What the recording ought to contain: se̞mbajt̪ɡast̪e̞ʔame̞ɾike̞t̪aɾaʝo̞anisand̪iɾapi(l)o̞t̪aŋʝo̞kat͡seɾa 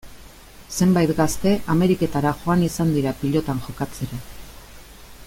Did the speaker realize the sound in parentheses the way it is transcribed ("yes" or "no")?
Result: no